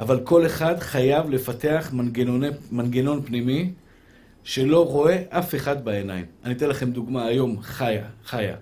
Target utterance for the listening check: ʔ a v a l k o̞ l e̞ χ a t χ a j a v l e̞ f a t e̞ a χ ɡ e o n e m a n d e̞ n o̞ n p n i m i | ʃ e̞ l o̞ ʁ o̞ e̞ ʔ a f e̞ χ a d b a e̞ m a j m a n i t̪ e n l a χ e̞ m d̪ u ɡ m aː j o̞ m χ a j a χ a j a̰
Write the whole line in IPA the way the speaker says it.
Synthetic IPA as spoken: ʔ a v a l k o̞ l e̞ χ a d χ a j a v l e̞ f a t e̞ a χ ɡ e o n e m a n ɡ e̞ n o̞ n p n i m i | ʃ e̞ l o̞ ʁ o̞ e̞ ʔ a f e̞ χ a d b a e̞ n a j m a n i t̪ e n l a χ e̞ m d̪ u ɡ m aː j o̞ m χ a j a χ a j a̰